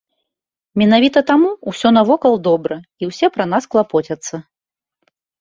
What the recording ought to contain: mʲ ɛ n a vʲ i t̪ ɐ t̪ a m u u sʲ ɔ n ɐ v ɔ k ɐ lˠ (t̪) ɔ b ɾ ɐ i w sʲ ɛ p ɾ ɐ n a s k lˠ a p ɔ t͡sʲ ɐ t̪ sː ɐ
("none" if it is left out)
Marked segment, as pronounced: d̪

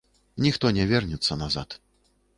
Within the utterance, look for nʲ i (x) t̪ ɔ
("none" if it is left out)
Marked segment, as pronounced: x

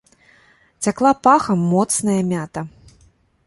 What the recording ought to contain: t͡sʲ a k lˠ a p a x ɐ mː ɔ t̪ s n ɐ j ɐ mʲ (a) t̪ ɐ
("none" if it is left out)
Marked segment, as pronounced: a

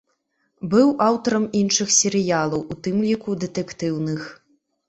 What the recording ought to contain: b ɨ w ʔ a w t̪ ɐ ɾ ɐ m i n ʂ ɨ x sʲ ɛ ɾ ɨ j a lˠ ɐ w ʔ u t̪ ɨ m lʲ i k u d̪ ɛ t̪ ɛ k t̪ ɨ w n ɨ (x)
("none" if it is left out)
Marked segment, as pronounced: x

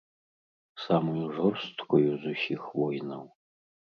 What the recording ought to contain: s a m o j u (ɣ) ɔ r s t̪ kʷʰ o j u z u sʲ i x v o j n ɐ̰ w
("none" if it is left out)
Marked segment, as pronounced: ʐ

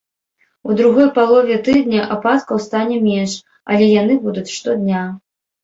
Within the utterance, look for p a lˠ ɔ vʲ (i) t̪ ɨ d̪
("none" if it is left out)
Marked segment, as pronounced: ɛ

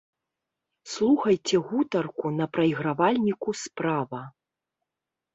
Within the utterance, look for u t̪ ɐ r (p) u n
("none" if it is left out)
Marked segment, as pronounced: k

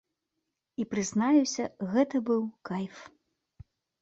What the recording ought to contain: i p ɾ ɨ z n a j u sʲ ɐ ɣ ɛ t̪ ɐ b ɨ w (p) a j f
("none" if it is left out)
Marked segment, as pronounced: k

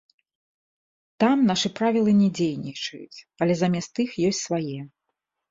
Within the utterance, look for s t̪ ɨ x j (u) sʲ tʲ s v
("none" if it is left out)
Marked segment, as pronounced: ɔ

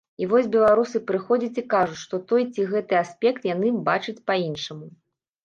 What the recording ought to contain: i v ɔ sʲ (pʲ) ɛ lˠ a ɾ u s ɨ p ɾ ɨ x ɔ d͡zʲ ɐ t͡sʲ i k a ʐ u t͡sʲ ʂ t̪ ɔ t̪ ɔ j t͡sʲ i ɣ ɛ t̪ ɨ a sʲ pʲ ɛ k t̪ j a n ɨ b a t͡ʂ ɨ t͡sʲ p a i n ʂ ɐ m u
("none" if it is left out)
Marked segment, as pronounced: bʲ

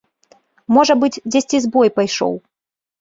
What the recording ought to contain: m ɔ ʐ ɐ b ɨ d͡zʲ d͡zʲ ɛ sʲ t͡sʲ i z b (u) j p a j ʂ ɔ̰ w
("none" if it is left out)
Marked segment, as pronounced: ɔ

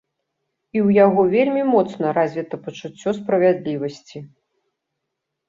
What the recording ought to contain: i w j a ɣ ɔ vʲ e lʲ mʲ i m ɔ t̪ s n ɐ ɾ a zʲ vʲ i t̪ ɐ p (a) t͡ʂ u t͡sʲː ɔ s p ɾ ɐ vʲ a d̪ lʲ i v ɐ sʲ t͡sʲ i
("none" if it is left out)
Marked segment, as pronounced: ɐ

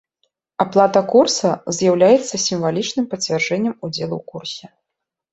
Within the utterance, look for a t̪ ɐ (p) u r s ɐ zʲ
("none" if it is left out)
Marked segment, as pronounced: k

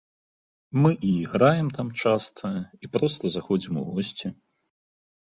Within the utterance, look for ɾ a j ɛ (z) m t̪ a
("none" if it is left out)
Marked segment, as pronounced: none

